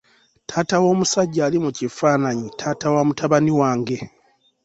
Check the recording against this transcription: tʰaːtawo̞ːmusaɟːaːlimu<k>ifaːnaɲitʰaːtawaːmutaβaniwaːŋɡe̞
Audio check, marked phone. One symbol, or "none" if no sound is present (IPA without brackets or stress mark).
c